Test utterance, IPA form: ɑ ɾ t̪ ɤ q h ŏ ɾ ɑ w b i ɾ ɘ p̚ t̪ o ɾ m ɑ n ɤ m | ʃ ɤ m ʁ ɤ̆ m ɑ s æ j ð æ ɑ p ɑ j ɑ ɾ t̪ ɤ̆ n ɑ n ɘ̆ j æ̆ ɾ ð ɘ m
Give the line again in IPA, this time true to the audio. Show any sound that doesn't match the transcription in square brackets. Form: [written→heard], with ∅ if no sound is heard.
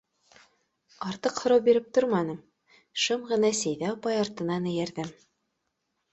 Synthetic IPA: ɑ ɾ t̪ ɤ q h ŏ ɾ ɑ w b i ɾ ɘ p̚ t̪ o ɾ m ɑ n ɤ m | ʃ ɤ m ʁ ɤ̆ [m→n] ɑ s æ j ð æ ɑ p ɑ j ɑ ɾ t̪ ɤ̆ n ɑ n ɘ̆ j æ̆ ɾ ð ɘ m